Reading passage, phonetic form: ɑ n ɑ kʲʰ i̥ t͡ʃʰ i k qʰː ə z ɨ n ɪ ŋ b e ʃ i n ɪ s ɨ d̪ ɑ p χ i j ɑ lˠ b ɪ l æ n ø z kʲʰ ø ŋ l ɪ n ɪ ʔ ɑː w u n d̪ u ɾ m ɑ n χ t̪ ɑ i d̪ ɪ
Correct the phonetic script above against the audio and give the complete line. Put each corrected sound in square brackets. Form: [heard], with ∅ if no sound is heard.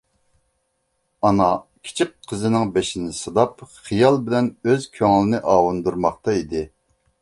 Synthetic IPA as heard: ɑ n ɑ kʲʰ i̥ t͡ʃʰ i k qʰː ə z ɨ n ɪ ŋ b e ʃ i n ɪ s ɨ d̪ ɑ p χ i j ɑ lˠ b ɪ l [ɛ] n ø z kʲʰ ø ŋ l ɪ n ɪ ʔ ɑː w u n d̪ u ɾ m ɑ [∅] χ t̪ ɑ i d̪ ɪ